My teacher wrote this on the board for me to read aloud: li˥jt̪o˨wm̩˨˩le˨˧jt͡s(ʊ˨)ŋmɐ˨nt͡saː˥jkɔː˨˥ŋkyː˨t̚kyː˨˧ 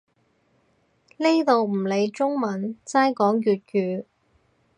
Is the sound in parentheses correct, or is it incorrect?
incorrect: ʊ˥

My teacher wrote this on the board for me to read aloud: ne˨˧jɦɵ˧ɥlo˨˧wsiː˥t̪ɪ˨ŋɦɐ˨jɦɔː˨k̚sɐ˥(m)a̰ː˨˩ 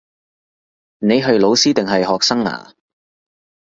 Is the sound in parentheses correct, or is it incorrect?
incorrect: ŋ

